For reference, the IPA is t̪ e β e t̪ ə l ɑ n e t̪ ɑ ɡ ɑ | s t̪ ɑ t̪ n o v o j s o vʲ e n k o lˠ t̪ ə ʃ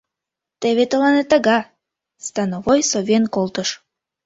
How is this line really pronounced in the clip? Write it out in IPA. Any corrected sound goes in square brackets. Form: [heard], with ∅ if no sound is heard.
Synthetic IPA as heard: t̪ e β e t̪ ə l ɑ n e t̪ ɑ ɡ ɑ | s t̪ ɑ [∅] n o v o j s o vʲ e n k o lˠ t̪ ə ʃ

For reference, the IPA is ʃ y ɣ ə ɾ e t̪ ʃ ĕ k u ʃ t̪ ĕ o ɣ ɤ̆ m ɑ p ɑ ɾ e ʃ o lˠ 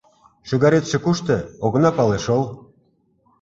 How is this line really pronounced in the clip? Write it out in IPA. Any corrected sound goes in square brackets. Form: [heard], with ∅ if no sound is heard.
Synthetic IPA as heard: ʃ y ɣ [ɑ] ɾ e t̪ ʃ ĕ k u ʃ t̪ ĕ o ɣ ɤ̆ [n] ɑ p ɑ [l] e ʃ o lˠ

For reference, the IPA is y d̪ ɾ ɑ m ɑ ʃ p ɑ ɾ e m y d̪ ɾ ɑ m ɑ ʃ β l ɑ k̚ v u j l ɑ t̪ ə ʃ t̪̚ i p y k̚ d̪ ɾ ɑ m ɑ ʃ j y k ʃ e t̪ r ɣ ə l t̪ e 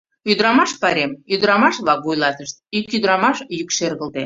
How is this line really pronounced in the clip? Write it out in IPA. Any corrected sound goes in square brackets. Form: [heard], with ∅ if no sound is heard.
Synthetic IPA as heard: y d̪ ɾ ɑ m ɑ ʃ p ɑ ɾ e m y d̪ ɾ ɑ m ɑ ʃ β l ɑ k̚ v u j l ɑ t̪ ə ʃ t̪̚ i [k] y [∅] d̪ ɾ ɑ m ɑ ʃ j y k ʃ e [∅] r ɣ ə l t̪ e

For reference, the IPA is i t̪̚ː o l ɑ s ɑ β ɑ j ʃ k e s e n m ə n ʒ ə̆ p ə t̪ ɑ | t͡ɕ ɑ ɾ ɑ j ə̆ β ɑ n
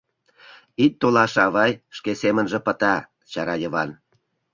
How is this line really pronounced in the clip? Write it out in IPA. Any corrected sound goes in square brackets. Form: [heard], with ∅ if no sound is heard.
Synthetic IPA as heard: i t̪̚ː o l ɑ [ʃ] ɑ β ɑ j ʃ k e s e [∅] m ə n ʒ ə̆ p ə t̪ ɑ | t͡ɕ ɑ ɾ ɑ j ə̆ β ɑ n

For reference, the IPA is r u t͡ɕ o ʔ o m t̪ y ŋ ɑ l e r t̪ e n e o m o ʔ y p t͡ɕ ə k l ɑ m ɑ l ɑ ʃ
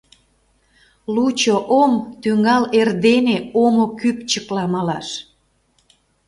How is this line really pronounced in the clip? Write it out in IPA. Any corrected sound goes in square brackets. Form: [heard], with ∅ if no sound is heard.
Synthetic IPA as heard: [l] u t͡ɕ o ʔ o m t̪ y ŋ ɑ l e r [d̪] e n e o m o [k] y p t͡ɕ ə k l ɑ m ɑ l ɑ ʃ

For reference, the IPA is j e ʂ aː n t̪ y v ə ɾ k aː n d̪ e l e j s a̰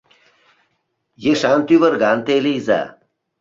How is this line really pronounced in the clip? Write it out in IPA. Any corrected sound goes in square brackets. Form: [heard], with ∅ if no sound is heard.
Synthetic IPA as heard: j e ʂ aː n t̪ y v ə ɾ [ɡ] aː n [t̪] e l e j [z] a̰

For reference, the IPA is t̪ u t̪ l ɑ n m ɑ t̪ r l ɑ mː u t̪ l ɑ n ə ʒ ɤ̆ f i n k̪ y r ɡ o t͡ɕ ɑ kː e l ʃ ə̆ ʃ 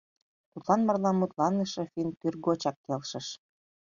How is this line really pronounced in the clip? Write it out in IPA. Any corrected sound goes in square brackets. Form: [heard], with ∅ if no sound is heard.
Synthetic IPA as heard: t̪ u t̪ l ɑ n m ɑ [∅] r l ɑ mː u t̪ l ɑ n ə [ʃ] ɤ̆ f i n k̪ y r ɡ o t͡ɕ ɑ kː e l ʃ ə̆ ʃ

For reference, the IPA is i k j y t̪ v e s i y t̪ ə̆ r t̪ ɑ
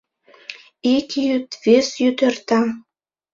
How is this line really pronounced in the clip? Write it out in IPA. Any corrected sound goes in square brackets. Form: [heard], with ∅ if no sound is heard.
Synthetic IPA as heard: i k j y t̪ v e s [j] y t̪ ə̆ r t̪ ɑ

